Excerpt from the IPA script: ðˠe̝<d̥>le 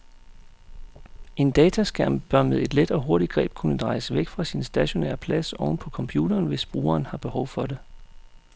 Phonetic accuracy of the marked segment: correct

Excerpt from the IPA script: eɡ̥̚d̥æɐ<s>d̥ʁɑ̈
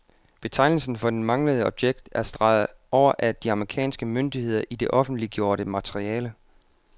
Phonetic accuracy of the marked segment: correct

